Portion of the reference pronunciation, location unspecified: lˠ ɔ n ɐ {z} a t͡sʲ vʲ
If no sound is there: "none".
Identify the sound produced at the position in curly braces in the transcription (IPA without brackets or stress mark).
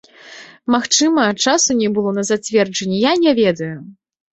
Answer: z